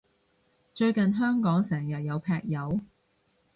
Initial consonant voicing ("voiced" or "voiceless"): voiceless